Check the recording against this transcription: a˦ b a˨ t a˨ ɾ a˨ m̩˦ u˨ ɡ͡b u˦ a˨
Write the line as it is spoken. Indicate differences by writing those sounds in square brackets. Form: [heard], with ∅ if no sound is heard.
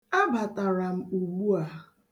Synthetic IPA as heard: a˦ b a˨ t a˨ ɾ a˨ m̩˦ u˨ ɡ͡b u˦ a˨